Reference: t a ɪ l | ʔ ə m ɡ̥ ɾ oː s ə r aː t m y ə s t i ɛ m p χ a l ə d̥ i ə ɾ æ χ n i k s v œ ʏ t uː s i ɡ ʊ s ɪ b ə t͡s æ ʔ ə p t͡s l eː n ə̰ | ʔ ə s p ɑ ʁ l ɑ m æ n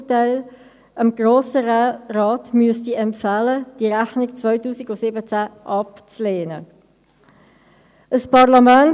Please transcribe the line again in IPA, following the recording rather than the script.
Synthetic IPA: t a ɪ l | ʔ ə m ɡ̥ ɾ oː s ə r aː t m y ə s t i ɛ m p f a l ə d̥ i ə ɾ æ χ n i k t͡s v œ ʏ t uː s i ɡ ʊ s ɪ b ə t͡s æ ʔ ɑ p t͡s l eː n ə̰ | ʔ ə s p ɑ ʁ l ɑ m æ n